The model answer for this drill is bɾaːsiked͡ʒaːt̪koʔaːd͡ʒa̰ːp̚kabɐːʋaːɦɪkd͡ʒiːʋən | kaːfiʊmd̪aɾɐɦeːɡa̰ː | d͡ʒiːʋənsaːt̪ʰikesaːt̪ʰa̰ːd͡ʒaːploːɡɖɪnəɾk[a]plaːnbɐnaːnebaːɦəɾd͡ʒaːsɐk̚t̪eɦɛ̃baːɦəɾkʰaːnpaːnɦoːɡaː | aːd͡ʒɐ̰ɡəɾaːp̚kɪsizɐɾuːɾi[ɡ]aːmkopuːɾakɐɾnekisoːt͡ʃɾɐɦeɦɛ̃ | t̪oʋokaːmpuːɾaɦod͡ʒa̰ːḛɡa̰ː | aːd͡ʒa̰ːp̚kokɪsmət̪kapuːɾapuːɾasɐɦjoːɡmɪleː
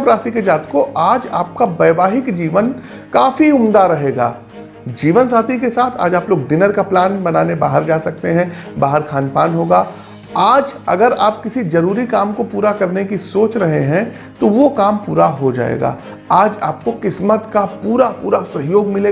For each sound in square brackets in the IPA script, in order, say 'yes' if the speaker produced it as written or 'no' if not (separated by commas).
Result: yes, no